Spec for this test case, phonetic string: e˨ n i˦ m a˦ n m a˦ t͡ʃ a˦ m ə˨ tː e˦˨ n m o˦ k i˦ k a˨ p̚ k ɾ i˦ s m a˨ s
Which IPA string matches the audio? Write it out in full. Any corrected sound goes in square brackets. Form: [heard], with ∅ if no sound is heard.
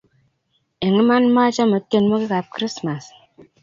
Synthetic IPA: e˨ [ŋ] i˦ m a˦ n m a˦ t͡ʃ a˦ m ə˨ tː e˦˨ n m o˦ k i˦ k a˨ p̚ k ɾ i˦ s m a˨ s